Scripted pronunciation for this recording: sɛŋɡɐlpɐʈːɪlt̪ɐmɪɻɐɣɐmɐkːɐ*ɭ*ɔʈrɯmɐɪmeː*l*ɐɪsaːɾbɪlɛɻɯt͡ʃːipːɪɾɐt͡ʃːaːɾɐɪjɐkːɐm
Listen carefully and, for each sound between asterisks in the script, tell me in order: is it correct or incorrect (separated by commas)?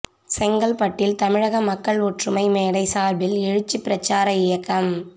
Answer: correct, incorrect